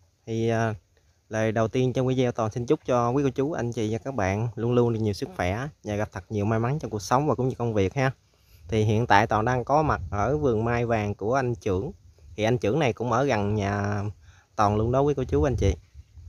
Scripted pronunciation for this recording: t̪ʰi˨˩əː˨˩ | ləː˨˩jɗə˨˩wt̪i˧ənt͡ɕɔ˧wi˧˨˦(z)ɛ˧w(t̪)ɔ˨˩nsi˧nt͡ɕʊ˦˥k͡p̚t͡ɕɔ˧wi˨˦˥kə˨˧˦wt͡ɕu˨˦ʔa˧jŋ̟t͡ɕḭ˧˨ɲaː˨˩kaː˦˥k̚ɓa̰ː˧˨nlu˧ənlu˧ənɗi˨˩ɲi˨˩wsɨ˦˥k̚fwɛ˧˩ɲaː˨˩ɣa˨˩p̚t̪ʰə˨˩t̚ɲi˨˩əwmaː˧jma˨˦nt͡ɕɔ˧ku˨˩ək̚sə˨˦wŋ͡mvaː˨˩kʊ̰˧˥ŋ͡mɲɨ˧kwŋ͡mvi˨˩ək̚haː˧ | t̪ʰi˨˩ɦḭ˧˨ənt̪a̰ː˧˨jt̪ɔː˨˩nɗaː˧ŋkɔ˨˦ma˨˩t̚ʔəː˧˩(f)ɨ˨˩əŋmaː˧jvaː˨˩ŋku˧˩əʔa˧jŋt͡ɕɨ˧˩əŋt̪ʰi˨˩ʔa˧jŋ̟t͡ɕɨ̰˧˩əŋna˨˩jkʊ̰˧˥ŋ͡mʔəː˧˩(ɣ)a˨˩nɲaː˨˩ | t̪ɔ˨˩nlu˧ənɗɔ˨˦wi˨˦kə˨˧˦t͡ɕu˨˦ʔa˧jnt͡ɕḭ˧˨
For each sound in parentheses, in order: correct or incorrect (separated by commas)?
correct, correct, incorrect, correct